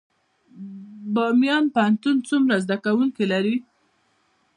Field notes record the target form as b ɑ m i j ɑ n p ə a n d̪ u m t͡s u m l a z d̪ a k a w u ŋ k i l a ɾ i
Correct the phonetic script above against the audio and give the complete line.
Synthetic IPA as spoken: b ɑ m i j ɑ n p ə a n t̪ u n t͡s u m ɾ a z d̪ a k a w u ŋ k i l a ɾ i